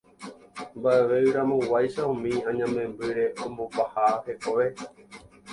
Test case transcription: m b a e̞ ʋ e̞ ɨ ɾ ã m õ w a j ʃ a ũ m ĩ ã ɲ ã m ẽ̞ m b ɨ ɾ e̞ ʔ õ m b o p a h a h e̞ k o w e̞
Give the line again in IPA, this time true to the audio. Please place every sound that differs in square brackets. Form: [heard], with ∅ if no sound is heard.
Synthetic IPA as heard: m b a e̞ ʋ e̞ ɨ ɾ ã m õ w a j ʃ a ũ m ĩ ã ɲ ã m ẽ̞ m b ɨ ɾ e̞ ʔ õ m b o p a h a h e̞ k o [ʋ] e̞